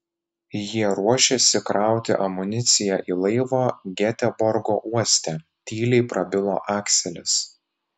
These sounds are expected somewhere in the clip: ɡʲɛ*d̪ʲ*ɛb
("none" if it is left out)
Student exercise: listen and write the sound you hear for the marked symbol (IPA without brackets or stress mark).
t̪ʲ